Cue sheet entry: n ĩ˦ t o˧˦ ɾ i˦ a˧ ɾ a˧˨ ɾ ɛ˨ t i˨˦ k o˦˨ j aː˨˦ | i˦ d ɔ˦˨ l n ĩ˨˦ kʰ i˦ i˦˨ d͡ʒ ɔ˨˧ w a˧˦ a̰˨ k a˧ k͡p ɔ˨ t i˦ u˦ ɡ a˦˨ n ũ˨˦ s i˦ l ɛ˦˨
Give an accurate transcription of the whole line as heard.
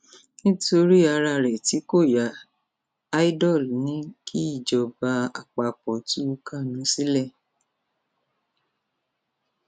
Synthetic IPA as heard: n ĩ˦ t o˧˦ ɾ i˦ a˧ ɾ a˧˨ ɾ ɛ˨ t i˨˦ k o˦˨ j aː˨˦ | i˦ d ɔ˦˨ l n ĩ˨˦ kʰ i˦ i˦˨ d͡ʒ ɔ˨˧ b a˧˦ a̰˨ k͡p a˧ k͡p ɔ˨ t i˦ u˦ k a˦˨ n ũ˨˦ s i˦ l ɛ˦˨